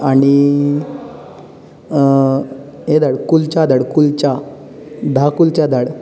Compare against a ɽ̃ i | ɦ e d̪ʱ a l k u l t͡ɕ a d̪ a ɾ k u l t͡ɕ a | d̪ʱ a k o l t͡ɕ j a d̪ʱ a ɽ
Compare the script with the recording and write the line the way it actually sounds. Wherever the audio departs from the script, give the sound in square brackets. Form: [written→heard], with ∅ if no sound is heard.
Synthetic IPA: a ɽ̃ i | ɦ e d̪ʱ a [l→ɽ] k u l t͡ɕ a d̪ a [ɾ→ɽ] k u l t͡ɕ a | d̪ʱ a k [o→u] l t͡ɕ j a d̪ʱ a ɽ